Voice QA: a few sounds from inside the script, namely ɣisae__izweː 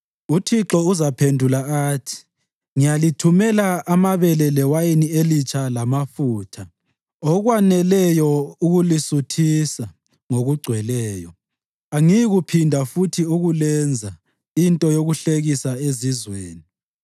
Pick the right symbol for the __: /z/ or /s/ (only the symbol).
z